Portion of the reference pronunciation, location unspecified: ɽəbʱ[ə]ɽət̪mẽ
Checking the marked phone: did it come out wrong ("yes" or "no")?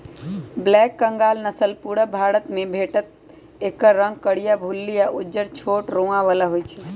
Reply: yes